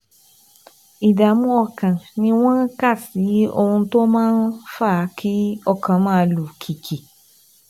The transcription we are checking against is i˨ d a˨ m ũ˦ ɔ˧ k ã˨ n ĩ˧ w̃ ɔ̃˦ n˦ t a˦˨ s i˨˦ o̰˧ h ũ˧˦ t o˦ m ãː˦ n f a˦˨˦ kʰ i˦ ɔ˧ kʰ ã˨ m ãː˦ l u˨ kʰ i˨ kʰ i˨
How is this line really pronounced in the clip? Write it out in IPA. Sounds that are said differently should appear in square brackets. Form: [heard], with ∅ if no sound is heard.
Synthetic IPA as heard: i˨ d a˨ m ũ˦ ɔ˧ k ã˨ n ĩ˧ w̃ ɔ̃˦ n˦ [k] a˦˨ s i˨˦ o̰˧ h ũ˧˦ t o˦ m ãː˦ n f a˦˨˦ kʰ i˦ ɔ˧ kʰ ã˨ m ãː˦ l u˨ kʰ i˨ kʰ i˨